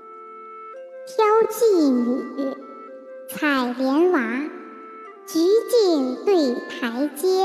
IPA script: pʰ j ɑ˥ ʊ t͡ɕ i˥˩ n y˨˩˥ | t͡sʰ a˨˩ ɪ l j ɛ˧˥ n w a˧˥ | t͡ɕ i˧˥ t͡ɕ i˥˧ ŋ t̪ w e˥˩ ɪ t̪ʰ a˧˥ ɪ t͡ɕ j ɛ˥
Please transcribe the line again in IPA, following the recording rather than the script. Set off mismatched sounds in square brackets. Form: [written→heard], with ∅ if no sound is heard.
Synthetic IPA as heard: pʰ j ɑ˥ ʊ t͡ɕ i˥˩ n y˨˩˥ | t͡sʰ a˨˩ ɪ l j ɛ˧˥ n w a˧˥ | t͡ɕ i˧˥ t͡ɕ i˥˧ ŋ t̪ w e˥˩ ɪ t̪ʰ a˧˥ ɪ t͡ɕ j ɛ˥